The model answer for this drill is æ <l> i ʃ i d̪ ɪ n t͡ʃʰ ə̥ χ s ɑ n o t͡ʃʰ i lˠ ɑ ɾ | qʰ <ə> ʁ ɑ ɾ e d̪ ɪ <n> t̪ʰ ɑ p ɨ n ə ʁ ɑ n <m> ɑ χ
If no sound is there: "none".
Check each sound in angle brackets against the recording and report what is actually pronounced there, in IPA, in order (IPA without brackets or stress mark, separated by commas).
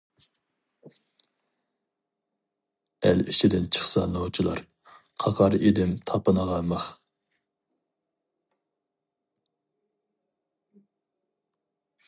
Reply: l, ɑ, m, m